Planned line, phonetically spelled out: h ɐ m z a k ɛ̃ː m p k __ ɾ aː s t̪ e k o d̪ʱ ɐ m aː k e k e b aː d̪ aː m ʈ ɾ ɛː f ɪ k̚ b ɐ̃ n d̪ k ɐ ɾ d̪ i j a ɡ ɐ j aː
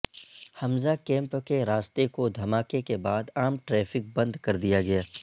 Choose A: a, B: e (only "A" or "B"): B